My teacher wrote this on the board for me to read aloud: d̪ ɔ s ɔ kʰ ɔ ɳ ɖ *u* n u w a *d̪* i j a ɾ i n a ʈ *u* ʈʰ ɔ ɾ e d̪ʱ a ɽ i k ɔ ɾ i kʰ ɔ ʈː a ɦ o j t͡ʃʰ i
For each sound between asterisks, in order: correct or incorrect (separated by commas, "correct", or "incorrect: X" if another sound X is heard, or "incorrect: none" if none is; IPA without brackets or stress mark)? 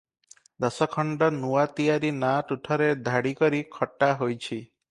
incorrect: ɔ, incorrect: t̪, correct